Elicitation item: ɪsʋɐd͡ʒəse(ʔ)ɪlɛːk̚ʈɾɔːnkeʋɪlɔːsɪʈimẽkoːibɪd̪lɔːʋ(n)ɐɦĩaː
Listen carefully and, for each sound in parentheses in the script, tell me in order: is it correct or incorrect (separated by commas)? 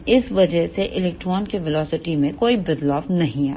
correct, correct